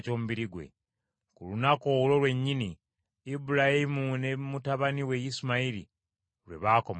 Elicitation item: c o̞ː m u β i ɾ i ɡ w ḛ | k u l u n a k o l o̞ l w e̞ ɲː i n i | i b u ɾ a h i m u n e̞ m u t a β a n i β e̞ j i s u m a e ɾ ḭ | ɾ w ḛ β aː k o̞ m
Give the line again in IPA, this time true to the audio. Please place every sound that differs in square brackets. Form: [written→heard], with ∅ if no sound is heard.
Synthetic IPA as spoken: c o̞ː m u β i ɾ i ɡ w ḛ | k u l u n a k o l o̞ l w e̞ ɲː i n i | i b u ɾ a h i m u n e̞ m u t a β a n i [β→w] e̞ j i s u m a [e→i] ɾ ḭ | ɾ w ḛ β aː k o̞ m